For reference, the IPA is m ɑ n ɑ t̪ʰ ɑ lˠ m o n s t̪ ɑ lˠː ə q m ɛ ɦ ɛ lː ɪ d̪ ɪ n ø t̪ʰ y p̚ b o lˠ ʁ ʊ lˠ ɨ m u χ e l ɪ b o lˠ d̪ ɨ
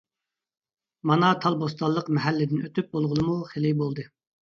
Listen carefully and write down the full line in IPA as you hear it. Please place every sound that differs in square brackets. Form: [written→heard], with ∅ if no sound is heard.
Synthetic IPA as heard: m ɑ n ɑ t̪ʰ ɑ lˠ [m→b] o [n→∅] s t̪ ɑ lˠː ə q m ɛ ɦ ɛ lː ɪ d̪ ɪ n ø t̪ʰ y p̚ b o lˠ ʁ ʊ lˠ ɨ m u χ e l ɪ b o lˠ d̪ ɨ